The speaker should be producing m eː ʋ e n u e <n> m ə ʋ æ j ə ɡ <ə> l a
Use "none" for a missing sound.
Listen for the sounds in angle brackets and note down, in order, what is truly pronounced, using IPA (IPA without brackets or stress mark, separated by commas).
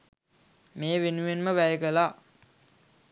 n, ə